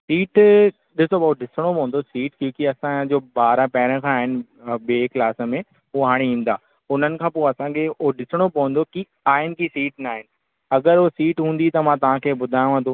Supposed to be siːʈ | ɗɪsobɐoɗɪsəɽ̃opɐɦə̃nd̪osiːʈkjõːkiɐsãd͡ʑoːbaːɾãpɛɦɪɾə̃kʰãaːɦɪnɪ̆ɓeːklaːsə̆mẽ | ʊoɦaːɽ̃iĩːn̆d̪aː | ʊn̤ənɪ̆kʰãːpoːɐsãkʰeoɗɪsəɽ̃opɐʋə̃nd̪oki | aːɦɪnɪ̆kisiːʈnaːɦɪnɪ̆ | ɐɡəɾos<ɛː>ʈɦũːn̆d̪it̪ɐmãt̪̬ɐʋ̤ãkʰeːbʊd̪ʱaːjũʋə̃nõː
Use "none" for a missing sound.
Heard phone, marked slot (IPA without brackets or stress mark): iː